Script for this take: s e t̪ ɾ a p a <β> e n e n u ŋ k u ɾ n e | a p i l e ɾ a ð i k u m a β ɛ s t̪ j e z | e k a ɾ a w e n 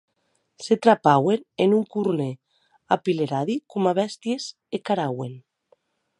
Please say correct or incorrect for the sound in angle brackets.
incorrect